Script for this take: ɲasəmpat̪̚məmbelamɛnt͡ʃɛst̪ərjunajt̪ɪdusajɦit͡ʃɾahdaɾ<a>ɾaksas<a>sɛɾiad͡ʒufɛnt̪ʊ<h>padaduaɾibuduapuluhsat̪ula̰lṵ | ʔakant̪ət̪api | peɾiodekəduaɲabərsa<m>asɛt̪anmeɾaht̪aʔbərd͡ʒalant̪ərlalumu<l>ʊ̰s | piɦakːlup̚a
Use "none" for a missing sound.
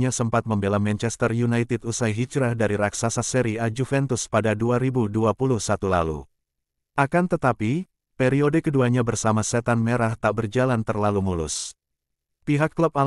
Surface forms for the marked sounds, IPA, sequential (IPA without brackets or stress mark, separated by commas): i, a, s, m, l